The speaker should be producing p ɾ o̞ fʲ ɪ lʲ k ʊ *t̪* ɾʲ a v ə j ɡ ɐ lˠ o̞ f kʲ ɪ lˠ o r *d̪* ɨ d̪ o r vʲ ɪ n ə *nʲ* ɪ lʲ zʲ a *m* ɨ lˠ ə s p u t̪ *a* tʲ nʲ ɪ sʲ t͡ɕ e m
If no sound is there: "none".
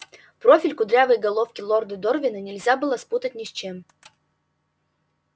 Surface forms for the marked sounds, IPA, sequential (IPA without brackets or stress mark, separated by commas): d̪, d̪, nʲ, b, ə